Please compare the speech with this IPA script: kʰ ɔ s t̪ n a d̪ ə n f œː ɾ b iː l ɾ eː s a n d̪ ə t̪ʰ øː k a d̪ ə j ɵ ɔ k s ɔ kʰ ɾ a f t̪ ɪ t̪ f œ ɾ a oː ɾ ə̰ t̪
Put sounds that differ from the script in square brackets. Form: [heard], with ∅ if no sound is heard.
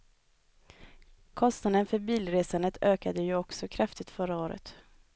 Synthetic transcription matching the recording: kʰ ɔ s t̪ n a d̪ ə n f [œ] ɾ b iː l ɾ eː s a n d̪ ə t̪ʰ øː k a d̪ ə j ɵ ɔ k s ɔ kʰ ɾ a f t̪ ɪ t̪ f œ ɾ a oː ɾ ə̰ t̪